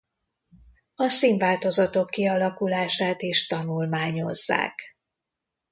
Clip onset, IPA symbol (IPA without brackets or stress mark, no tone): ɒ